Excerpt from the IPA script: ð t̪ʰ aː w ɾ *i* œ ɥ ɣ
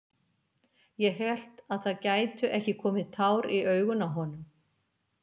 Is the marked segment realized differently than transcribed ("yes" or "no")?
no